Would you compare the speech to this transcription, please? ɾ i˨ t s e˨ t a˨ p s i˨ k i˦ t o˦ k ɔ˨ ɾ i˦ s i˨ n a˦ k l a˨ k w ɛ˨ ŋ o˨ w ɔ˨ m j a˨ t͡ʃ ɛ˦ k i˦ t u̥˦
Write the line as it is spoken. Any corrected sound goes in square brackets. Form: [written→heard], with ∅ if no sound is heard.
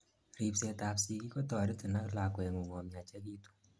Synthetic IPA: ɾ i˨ [t→p] s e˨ t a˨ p s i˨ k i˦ [t→k] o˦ [k→t] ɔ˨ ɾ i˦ [s→t] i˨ n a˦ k l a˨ k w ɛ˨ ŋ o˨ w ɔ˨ m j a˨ t͡ʃ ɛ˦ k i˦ t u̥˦